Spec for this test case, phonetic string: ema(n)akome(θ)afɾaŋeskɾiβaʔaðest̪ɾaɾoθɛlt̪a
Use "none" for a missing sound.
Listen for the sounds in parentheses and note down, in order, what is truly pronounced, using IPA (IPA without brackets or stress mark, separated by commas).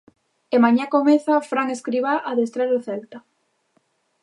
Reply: ɲ, θ